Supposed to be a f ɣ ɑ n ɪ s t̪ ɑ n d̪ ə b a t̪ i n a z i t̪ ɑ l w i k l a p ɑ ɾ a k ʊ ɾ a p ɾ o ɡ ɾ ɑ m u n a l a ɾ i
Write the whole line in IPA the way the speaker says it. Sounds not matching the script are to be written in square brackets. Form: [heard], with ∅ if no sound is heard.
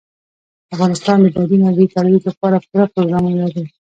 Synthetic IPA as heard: a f ɣ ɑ n ɪ s t̪ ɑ n d̪ ə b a [d̪] i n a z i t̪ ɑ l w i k l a p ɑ ɾ a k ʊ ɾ a p ɾ o ɡ ɾ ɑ m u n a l a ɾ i